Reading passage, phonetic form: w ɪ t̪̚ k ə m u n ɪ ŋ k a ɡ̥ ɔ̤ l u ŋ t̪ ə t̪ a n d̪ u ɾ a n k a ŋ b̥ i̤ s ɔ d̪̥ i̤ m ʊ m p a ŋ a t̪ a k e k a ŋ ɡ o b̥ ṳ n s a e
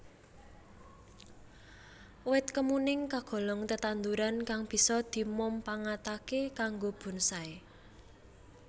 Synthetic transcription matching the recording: w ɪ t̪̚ k ə m u n ɪ ŋ k a ɡ̥ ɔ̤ l ɔ ŋ t̪ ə t̪ a n d̪ u ɾ a n k a ŋ b̥ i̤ s ɔ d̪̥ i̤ m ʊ m p a ŋ a t̪ a k e k a ŋ ɡ o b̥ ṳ n s a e

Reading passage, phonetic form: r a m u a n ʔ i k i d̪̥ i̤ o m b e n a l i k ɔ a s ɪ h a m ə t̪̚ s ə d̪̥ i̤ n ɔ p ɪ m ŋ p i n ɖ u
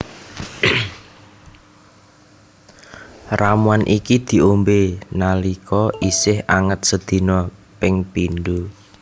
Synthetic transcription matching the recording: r a m u a n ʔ i k i d̪̥ i̤ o m b e n a l i k ɔ i s ɪ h a ŋ ə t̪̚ s ə d̪̥ i̤ n ɔ p ɪ ŋ p i n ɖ u

